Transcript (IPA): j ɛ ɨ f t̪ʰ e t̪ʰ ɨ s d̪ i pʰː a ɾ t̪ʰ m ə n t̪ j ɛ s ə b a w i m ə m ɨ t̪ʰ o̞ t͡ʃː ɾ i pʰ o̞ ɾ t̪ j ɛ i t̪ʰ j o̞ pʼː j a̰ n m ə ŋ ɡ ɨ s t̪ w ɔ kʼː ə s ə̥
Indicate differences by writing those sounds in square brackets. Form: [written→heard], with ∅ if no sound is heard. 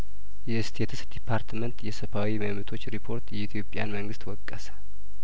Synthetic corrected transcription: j ɛ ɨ [f→s] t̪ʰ e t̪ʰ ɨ s d̪ i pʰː a ɾ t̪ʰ m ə n t̪ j ɛ s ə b a w i m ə m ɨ t̪ʰ o̞ t͡ʃː ɾ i pʰ o̞ ɾ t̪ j ɛ i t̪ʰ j o̞ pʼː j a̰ n m ə ŋ ɡ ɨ s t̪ w ɔ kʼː ə s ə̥